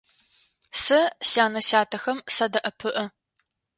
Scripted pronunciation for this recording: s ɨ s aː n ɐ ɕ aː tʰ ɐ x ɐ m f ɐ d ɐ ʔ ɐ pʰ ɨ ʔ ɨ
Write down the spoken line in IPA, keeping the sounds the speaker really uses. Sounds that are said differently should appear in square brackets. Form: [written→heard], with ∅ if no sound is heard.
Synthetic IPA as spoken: s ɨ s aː n ɐ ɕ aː tʰ ɐ x ɐ m [f→s] ɐ d ɐ ʔ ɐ pʰ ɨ ʔ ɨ